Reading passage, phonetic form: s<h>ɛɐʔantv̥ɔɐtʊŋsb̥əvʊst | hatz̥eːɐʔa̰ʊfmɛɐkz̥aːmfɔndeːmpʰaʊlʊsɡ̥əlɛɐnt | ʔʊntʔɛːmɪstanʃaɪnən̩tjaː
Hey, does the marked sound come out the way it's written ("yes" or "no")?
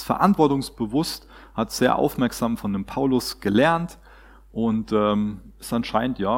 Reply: no